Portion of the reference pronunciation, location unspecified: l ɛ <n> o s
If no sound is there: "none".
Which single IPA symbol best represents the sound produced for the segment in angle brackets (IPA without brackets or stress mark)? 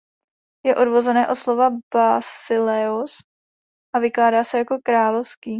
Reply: none